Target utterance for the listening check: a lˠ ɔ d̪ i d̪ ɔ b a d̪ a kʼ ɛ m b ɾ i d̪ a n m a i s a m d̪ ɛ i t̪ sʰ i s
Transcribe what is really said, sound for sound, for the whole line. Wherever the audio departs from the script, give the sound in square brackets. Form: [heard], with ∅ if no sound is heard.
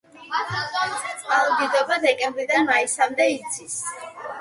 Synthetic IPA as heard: a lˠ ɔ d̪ i d̪ ɔ b a d̪ [ɛ] kʼ ɛ m b ɾ i d̪ a n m a i s a m d̪ ɛ i t̪ sʰ i s